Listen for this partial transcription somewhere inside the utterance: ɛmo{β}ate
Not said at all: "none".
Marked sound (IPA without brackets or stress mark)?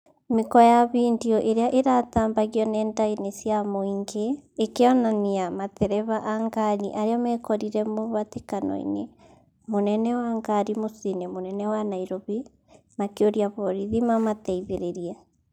β